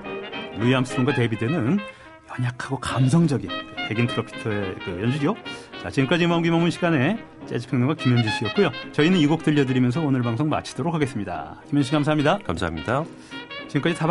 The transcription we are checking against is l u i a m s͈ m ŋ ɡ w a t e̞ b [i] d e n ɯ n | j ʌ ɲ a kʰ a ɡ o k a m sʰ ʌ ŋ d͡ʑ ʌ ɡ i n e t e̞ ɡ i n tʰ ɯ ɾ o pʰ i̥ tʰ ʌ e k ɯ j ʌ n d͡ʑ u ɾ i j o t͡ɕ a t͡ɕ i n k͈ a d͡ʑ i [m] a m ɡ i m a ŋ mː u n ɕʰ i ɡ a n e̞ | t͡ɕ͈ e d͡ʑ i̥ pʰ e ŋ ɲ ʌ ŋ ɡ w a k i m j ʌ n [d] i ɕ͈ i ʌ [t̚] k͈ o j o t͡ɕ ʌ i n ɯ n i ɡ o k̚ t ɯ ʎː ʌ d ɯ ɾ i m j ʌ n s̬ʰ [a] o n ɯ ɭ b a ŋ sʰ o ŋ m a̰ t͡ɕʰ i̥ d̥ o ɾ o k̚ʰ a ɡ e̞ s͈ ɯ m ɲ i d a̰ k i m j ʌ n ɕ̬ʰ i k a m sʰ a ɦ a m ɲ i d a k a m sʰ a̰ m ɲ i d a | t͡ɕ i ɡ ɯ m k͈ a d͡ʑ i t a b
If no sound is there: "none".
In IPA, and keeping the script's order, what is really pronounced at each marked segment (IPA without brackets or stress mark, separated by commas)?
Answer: i, m, d͡ʑ, t̚, ʌ